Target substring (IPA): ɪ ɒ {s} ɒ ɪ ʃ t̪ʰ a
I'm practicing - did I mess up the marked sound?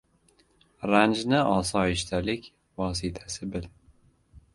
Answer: no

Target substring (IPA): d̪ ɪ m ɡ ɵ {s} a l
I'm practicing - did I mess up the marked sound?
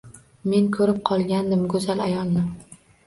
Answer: yes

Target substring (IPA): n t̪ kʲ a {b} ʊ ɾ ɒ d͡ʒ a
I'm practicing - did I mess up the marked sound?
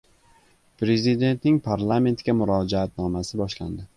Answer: yes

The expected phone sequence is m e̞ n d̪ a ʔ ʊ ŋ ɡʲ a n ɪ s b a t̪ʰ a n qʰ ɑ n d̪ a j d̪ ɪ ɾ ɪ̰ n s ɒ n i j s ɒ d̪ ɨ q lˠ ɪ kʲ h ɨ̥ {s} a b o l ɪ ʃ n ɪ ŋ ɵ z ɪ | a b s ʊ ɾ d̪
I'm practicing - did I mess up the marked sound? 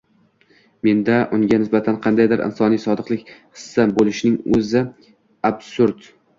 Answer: yes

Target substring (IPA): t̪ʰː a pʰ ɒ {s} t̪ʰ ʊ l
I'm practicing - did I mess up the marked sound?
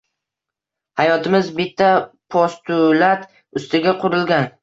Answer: no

